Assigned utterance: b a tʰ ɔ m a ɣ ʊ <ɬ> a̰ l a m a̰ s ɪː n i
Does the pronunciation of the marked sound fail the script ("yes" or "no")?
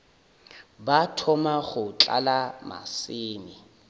yes